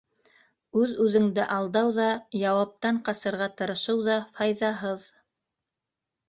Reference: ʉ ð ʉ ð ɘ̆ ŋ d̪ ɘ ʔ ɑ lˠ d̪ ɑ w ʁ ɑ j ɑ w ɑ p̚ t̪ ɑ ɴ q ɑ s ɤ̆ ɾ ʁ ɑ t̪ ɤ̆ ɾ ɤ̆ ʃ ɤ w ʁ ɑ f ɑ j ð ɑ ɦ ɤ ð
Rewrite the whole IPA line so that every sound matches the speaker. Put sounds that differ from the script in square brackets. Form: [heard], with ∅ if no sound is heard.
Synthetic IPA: ʉ ð ʉ ð ɘ̆ ŋ d̪ ɘ ʔ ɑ lˠ d̪ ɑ w [ð] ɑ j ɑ w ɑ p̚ t̪ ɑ ɴ q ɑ s ɤ̆ ɾ ʁ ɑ t̪ ɤ̆ ɾ ɤ̆ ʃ ɤ w [ð] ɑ f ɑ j ð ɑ ɦ ɤ ð